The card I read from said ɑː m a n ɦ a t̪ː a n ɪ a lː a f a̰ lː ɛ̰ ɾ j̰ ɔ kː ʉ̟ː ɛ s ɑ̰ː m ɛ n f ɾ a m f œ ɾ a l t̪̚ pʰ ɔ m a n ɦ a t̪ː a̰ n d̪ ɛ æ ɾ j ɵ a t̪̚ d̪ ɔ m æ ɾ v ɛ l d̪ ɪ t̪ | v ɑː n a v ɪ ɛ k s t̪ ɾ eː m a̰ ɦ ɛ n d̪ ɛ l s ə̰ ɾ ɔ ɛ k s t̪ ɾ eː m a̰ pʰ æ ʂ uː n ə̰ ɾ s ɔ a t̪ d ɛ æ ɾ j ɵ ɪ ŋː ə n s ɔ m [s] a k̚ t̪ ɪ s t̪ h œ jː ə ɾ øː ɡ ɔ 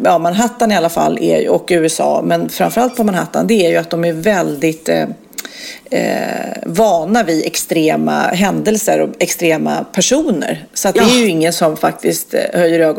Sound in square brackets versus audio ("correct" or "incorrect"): incorrect